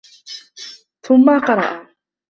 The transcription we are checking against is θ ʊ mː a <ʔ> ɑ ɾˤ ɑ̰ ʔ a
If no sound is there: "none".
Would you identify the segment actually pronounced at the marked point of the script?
q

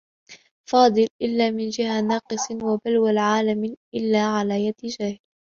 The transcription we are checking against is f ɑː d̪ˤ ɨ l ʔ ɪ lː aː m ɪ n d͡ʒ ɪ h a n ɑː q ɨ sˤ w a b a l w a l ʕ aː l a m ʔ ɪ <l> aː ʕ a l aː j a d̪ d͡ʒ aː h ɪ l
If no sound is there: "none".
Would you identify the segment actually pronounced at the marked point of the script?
lː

